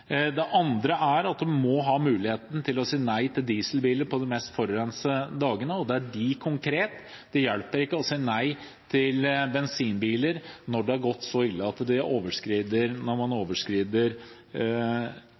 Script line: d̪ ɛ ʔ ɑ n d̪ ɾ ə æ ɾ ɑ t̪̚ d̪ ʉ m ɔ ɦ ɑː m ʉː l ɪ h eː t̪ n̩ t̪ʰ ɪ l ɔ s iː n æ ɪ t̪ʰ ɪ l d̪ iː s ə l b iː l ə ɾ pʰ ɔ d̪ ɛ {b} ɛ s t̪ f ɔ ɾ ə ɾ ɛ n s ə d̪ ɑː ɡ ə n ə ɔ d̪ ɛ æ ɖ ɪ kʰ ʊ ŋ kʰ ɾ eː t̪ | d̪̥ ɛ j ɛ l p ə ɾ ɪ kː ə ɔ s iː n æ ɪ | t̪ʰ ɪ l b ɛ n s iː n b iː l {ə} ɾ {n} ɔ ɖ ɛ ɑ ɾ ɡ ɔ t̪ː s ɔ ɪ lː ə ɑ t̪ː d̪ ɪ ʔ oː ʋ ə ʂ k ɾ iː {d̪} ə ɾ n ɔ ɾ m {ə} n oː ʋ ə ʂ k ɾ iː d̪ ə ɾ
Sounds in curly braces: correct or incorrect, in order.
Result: incorrect, correct, correct, correct, incorrect

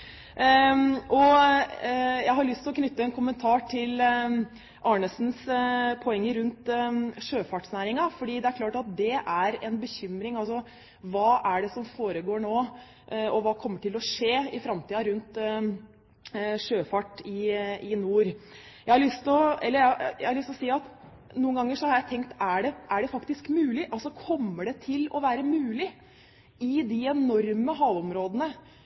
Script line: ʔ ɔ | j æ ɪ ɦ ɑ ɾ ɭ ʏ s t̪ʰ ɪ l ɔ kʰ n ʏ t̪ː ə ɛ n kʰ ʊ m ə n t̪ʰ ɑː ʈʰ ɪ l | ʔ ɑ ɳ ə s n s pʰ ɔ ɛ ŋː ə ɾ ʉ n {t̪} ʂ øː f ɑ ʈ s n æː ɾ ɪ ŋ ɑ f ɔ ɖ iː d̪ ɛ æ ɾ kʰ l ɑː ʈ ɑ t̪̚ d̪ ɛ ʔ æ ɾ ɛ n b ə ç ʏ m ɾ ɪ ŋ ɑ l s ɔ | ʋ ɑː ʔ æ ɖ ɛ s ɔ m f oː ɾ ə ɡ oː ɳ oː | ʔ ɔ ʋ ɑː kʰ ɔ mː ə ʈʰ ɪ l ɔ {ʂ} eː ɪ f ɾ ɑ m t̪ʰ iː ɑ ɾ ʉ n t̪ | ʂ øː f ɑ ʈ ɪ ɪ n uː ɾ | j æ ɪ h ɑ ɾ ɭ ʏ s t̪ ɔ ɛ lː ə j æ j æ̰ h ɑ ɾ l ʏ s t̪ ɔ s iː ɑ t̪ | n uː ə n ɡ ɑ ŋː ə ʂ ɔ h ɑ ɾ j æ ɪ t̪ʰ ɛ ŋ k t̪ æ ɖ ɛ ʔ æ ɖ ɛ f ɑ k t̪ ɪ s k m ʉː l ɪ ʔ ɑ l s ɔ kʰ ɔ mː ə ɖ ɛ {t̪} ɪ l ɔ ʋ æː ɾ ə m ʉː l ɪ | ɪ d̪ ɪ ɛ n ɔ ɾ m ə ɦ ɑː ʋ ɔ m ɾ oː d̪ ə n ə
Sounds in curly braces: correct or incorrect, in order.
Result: correct, correct, incorrect

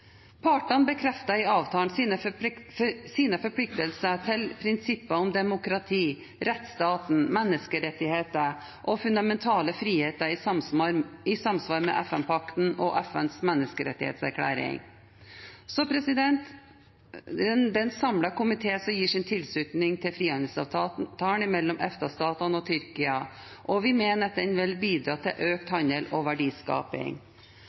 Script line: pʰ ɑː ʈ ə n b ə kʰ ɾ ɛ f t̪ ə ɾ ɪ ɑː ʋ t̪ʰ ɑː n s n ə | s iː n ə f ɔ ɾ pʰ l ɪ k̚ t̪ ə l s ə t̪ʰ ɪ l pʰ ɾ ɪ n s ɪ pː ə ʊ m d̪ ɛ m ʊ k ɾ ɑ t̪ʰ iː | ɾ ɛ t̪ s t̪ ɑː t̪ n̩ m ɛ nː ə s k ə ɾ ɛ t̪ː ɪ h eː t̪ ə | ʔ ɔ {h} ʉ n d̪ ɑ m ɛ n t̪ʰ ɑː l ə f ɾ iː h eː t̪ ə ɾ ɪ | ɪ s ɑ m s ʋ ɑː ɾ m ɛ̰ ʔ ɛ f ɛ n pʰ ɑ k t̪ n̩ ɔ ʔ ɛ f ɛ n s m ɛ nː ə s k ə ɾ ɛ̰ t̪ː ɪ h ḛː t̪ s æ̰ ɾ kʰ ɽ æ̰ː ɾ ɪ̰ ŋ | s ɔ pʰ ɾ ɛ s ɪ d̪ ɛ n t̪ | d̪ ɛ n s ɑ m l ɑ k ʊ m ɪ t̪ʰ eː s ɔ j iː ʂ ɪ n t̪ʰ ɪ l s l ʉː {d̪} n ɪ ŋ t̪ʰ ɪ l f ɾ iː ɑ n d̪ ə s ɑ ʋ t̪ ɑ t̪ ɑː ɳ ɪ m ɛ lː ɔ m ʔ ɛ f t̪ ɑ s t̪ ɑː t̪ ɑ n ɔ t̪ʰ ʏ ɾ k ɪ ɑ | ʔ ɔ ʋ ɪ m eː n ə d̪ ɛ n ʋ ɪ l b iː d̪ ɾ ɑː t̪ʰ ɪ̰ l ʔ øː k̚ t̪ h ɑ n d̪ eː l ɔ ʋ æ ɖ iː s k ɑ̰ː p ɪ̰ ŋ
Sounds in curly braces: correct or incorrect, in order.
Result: incorrect, incorrect

